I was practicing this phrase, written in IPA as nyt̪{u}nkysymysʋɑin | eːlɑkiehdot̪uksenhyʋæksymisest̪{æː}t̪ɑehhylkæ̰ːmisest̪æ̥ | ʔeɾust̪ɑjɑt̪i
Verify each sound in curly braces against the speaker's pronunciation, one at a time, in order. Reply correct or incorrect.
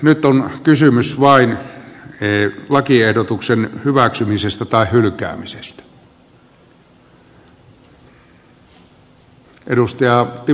incorrect: o, incorrect: æ

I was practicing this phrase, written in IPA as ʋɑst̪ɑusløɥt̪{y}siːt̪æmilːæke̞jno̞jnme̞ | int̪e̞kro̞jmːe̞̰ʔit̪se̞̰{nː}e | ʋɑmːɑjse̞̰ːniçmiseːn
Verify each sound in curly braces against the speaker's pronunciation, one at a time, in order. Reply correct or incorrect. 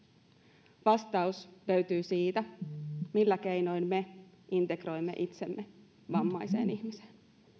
incorrect: yː, incorrect: mː

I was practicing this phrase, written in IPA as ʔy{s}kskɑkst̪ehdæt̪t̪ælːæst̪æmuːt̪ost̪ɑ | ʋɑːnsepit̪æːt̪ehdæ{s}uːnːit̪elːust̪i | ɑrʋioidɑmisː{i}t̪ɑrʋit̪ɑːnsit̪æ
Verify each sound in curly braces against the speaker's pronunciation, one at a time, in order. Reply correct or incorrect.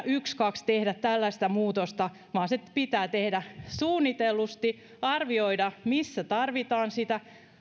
incorrect: none, correct, incorrect: æ

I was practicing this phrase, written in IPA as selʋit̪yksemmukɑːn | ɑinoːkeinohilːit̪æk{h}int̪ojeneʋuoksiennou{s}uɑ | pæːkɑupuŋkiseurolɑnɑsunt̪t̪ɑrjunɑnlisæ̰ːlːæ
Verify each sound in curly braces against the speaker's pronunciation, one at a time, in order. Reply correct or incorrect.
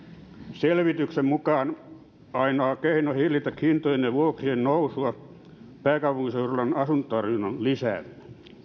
correct, correct

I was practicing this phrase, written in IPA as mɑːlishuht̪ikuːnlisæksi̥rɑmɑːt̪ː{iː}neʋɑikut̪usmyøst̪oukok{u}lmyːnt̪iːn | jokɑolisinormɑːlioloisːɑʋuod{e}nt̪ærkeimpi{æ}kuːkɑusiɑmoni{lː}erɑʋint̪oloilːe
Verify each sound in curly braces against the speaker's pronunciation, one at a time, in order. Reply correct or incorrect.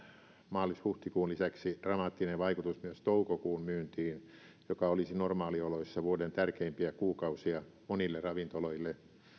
incorrect: i, incorrect: uː, correct, correct, correct

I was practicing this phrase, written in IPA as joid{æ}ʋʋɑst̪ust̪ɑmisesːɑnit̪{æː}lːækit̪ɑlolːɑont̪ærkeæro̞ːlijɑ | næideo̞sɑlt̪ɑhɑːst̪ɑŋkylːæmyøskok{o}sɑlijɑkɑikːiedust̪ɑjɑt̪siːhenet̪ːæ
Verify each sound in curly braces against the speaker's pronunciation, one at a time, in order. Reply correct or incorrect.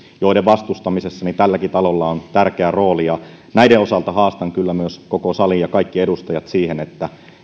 incorrect: e, incorrect: æ, correct

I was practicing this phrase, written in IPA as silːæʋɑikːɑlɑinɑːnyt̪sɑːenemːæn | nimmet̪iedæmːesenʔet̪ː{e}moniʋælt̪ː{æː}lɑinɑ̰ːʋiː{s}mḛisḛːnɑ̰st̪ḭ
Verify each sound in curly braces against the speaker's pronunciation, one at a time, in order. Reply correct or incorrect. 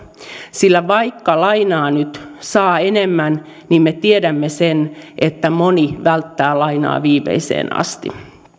incorrect: æ, correct, incorrect: none

